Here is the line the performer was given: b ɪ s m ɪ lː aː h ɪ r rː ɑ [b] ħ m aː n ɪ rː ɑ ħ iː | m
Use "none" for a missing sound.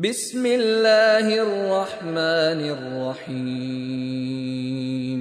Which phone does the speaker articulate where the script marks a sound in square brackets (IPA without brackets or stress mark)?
none